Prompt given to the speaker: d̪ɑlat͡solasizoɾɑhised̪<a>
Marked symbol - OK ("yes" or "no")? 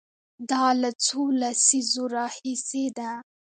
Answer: yes